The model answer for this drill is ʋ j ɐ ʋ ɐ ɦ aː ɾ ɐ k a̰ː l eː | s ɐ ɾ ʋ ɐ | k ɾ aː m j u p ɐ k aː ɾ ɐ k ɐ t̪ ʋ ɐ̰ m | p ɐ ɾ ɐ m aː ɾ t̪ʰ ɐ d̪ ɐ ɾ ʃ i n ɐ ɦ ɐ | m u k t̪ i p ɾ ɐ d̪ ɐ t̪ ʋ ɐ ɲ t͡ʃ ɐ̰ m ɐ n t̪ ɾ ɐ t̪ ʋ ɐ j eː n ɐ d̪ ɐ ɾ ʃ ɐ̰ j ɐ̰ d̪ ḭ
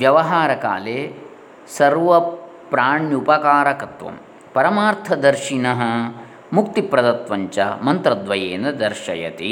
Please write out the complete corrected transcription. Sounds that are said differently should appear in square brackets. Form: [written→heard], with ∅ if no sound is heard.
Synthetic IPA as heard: ʋ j ɐ ʋ ɐ ɦ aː ɾ ɐ k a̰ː l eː | s ɐ ɾ ʋ ɐ | [k→p] ɾ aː [m→ɳ] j u p ɐ k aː ɾ ɐ k ɐ t̪ ʋ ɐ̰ m | p ɐ ɾ ɐ m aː ɾ t̪ʰ ɐ d̪ ɐ ɾ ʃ i n ɐ ɦ ɐ | m u k t̪ i p ɾ ɐ d̪ ɐ t̪ ʋ ɐ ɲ t͡ʃ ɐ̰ m ɐ n t̪ ɾ ɐ [t̪→d̪] ʋ ɐ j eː n ɐ d̪ ɐ ɾ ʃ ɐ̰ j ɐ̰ [d̪→t̪] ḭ